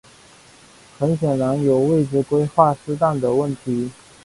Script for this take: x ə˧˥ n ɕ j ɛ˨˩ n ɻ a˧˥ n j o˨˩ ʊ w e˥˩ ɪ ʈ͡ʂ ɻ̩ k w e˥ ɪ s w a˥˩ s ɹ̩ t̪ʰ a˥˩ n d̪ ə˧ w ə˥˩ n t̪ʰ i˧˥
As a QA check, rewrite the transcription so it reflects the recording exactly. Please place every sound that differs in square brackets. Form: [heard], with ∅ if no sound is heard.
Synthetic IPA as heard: x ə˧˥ n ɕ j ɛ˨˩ n ɻ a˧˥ n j o˨˩ ʊ w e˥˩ ɪ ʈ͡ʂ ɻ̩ k w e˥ ɪ [x] w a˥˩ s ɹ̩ [t̪] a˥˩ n d̪ [ə˩] w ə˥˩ n t̪ʰ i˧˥